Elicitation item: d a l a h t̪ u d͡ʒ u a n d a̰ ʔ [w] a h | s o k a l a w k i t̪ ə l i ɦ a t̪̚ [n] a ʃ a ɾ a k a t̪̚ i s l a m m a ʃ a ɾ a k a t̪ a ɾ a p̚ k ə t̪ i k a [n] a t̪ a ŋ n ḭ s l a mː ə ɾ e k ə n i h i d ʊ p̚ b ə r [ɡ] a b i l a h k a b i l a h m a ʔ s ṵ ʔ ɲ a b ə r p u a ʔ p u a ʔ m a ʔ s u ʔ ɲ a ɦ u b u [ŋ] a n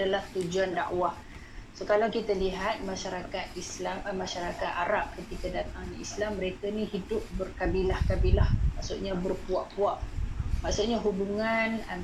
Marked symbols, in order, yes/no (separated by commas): yes, no, no, no, yes